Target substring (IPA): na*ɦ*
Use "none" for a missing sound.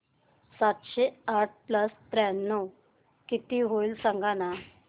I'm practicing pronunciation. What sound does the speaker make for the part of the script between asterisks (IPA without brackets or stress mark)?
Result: none